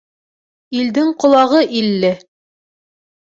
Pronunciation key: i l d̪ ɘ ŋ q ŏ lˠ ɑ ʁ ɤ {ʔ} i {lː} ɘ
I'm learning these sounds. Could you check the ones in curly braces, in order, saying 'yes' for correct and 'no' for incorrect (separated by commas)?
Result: yes, yes